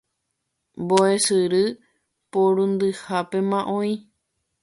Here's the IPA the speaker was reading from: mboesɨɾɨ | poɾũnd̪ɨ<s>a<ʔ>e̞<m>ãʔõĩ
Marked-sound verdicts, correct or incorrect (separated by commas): incorrect, incorrect, correct